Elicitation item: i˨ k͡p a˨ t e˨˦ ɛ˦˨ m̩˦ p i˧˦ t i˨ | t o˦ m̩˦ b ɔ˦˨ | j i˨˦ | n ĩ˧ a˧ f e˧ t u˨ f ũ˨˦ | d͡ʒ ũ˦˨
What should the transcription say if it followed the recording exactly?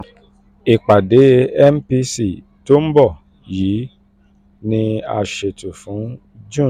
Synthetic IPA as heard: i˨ k͡p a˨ d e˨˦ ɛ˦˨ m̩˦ p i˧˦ s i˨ | t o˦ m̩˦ b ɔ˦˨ | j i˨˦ | n ĩ˧ a˧ ʃ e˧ t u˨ f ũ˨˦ | d͡ʒ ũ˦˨